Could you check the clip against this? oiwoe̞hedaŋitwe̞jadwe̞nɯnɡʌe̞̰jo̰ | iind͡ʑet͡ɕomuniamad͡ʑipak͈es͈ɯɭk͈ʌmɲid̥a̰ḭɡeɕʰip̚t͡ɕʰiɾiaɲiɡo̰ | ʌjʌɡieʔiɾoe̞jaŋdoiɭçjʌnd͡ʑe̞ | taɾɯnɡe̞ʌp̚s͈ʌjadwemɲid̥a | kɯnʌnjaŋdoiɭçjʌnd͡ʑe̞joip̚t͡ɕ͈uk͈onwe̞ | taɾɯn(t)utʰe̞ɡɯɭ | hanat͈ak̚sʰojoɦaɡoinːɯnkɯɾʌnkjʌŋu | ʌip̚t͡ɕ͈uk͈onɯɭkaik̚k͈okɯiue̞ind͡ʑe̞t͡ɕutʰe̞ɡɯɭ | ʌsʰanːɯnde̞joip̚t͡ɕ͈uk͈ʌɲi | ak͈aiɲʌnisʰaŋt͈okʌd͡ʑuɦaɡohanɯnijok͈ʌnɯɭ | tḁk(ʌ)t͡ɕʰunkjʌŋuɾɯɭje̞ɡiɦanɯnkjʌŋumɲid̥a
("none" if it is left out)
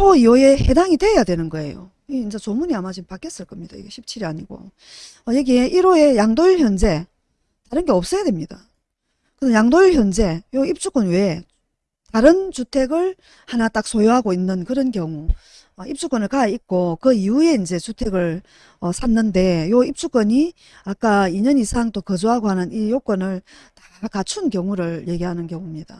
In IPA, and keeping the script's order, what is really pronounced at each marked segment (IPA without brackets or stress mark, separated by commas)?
t͡ɕ, a